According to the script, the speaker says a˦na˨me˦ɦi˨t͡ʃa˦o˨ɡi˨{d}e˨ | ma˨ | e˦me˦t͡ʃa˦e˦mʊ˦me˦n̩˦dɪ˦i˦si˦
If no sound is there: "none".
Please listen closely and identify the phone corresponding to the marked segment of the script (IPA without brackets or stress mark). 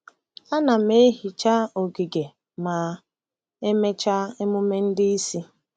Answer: ɡ